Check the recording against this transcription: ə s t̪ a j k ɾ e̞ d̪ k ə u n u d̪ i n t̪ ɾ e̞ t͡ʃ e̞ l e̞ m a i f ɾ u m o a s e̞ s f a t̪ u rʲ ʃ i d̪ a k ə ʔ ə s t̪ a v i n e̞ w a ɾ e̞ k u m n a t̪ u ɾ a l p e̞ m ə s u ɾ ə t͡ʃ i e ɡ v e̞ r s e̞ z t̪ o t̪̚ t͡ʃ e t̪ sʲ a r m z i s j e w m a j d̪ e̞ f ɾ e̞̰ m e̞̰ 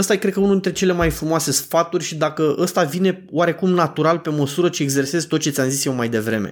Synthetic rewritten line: ə s t̪ a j k ɾ e̞ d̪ k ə u n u d̪ i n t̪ ɾ e̞ t͡ʃ e̞ l e̞ m a j f ɾ u m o a s e̞ s f a t̪ u rʲ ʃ i d̪ a k ə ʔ ə s t̪ a v i n e̞ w a ɾ e̞ k u m n a t̪ u ɾ a l p e̞ m ə s u ɾ ə t͡ʃ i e ɡ z e̞ r s e̞ z t̪ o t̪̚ t͡ʃ e t̪ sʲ a m z i s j e w m a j d̪ e̞ v ɾ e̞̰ m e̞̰